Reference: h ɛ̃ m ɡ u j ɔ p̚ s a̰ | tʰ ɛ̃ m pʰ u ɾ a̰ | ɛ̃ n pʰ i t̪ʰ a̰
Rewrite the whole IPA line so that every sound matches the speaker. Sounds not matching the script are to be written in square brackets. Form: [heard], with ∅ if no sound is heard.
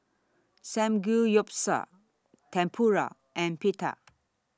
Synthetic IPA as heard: [s] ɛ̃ m ɡ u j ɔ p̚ s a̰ | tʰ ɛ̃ m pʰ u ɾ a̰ | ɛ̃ n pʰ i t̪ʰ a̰